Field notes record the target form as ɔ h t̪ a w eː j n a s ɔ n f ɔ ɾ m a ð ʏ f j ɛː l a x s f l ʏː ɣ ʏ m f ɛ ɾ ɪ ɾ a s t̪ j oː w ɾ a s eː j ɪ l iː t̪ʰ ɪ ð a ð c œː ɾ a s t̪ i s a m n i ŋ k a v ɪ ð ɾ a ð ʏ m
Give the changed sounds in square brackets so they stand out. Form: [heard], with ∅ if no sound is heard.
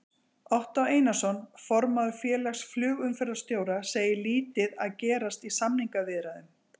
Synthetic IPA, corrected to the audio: ɔ h t̪ a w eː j n a s ɔ n f ɔ ɾ m a ð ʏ f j ɛː l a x s f l ʏː ɣ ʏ m f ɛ ɾ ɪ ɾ a s t̪ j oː w ɾ a s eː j ɪ l iː [t̪] ɪ ð a ð c [ɛː] ɾ a s t̪ i s a m n i ŋ k a v ɪ ð ɾ a ð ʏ m